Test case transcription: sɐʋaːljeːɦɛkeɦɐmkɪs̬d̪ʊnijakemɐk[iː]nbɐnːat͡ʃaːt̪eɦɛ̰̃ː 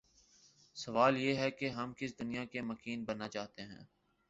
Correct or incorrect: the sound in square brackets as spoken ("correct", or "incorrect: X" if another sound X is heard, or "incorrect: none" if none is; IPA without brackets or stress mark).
correct